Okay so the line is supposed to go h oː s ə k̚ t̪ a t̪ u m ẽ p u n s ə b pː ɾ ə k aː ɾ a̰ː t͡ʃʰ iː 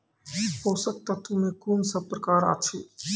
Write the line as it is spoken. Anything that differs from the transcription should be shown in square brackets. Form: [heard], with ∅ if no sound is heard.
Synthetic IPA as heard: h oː s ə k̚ t̪ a t̪ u m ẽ [k] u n s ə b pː ɾ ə k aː ɾ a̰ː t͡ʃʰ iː